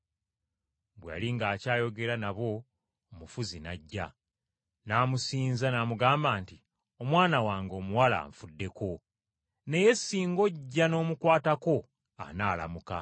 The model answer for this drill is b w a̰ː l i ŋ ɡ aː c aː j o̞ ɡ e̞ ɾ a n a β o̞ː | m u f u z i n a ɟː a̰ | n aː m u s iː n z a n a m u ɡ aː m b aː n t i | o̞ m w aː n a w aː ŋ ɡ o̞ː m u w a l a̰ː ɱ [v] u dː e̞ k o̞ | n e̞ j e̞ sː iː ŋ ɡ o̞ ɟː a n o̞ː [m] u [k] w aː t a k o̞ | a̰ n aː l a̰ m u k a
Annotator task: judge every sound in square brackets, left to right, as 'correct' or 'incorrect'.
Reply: incorrect: f, correct, correct

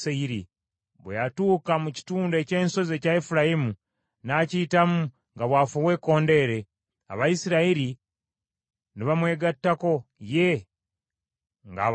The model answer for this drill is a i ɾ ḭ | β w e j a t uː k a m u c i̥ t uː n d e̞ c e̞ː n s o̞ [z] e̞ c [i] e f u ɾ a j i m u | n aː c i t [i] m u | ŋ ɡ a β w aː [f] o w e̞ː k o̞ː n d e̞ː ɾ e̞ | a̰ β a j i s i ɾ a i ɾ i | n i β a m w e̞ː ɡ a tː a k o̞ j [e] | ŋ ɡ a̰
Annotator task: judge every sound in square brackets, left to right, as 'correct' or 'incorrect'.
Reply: correct, incorrect: a, incorrect: a, correct, correct

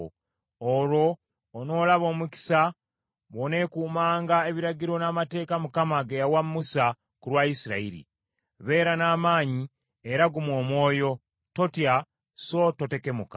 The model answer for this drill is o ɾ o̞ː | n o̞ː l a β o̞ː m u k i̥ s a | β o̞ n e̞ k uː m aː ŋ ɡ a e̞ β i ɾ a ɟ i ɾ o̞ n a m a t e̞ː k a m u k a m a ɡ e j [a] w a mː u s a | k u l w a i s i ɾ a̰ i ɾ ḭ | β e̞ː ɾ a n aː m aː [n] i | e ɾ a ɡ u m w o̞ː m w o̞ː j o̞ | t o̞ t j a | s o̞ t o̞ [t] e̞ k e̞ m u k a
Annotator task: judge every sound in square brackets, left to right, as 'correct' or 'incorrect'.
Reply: correct, incorrect: ɲ, correct

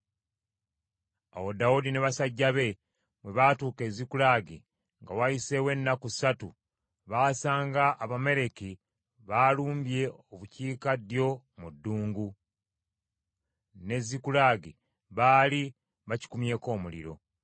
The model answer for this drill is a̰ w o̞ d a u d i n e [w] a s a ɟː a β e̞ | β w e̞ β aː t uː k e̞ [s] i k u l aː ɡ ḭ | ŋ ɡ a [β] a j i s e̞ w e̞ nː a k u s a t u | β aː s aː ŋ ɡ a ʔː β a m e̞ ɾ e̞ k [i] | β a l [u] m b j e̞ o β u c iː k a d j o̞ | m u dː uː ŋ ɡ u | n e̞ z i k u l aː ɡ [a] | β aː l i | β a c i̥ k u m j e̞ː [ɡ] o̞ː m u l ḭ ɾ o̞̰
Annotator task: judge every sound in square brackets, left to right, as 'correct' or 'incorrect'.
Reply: incorrect: β, incorrect: z, incorrect: w, correct, incorrect: uː, incorrect: i, incorrect: k

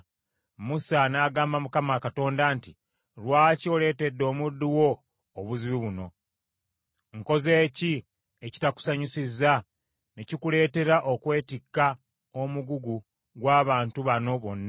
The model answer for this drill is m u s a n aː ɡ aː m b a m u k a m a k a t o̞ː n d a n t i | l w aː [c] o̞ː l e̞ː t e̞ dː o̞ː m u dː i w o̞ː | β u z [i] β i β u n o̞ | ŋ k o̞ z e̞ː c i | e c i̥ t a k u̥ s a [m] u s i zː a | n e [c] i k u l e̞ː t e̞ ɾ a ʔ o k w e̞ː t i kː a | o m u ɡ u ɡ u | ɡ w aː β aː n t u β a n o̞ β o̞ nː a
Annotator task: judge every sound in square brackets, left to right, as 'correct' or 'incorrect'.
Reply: correct, correct, incorrect: ɲ, correct

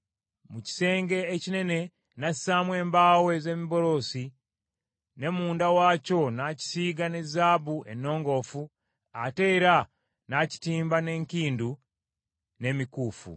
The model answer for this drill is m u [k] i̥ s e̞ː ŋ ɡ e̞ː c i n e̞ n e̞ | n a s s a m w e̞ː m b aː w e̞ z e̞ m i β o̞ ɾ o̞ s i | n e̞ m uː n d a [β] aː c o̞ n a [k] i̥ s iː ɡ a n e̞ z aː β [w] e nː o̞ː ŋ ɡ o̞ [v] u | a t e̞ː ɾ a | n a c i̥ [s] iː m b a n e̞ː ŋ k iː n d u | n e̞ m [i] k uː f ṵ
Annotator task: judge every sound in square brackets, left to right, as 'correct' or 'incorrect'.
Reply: incorrect: c, incorrect: w, incorrect: c, incorrect: u, incorrect: f, incorrect: t, correct

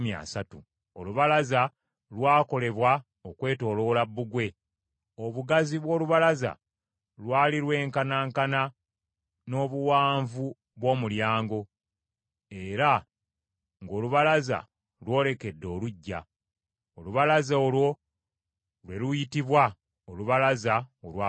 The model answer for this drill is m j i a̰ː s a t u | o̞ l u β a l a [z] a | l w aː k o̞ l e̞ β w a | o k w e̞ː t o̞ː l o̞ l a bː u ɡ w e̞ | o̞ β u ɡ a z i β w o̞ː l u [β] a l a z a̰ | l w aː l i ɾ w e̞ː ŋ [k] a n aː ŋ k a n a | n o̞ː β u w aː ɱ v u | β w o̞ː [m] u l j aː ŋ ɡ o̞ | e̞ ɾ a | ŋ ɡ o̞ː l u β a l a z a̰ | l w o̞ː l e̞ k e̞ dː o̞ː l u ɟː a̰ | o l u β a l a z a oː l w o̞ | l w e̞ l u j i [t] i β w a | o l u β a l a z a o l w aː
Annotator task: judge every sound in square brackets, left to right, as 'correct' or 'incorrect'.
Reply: correct, correct, correct, correct, correct

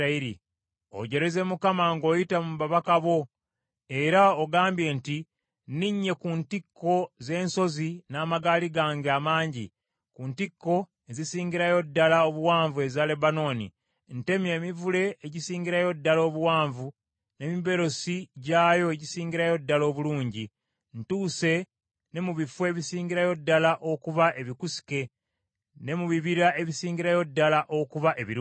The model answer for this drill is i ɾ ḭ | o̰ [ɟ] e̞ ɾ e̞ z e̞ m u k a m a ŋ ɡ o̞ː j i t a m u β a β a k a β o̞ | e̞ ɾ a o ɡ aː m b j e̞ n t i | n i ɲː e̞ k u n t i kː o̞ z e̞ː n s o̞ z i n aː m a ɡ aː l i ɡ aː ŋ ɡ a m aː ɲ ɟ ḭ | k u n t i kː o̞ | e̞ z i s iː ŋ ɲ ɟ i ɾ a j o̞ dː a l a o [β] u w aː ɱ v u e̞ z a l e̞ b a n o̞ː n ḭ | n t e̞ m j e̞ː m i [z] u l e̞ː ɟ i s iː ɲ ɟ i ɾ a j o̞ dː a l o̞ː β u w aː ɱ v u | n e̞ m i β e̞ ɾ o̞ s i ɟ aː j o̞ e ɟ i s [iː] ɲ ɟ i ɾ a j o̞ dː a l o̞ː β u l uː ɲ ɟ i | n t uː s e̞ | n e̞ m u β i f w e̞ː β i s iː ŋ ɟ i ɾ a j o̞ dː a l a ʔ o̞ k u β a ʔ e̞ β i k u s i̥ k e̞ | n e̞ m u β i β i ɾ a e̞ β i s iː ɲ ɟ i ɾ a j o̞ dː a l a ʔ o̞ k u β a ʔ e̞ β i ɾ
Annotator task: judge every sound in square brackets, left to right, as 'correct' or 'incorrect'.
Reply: correct, correct, incorrect: v, correct

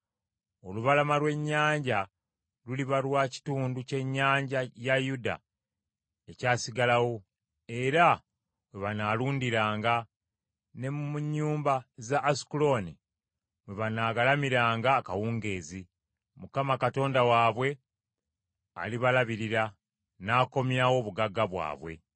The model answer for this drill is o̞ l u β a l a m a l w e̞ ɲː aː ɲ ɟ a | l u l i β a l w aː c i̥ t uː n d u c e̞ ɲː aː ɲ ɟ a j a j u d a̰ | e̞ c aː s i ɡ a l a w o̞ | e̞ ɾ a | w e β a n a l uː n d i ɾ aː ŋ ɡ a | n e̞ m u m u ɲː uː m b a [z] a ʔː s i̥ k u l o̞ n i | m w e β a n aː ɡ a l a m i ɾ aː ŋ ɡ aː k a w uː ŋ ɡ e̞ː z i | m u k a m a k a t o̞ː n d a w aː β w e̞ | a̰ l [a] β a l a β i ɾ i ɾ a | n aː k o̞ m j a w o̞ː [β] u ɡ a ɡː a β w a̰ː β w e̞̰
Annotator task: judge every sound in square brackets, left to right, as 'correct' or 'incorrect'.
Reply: correct, incorrect: i, correct

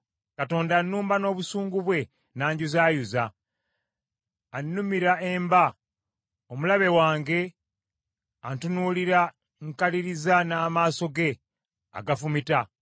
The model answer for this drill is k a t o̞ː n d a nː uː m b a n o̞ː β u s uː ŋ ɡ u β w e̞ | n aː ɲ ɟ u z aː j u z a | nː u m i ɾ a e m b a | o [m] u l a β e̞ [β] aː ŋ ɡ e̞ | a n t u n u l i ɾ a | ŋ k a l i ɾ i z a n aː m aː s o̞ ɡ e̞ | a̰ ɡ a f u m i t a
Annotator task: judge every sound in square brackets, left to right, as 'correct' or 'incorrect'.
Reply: correct, incorrect: w

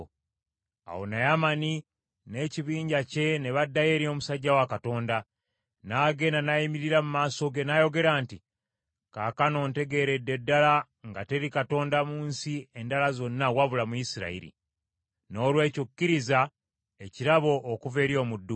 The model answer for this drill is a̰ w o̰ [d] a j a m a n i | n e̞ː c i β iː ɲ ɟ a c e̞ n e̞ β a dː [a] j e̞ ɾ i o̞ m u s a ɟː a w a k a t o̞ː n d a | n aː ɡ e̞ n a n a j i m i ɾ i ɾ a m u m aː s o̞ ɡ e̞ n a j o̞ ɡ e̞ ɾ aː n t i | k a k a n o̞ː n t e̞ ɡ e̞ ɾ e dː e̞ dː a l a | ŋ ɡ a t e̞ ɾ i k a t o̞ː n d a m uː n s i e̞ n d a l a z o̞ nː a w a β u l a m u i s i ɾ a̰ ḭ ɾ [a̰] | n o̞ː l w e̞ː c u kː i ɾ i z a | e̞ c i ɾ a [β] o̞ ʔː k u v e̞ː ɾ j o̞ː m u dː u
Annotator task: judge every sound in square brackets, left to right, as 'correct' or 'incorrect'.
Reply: incorrect: n, correct, incorrect: ḭ, correct

